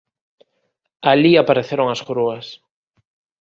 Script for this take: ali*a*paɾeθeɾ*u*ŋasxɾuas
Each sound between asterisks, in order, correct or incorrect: correct, incorrect: o

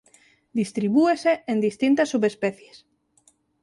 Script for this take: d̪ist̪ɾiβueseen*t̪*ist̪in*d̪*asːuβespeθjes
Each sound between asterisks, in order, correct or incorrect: incorrect: d̪, incorrect: t̪

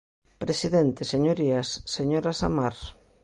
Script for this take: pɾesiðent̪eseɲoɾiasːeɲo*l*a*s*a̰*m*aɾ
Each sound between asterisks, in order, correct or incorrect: incorrect: ɾ, correct, correct

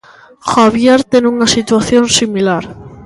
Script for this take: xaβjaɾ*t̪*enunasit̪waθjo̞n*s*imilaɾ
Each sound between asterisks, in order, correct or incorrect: correct, correct

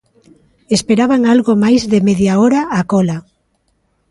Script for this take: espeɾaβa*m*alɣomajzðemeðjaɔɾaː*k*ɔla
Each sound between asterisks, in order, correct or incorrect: incorrect: ŋ, correct

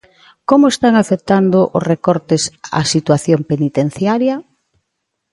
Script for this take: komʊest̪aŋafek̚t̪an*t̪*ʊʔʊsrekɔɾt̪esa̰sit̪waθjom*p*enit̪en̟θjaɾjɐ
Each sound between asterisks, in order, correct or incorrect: incorrect: d̪, correct

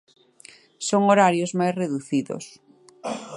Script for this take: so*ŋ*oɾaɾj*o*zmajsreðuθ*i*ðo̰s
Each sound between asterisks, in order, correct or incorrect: correct, correct, correct

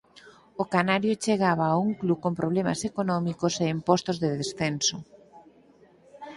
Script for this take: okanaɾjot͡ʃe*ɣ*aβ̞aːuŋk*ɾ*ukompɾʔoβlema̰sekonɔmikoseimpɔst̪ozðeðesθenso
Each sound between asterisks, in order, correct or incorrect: correct, incorrect: l

